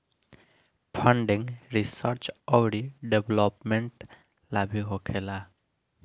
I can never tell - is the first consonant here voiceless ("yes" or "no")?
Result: yes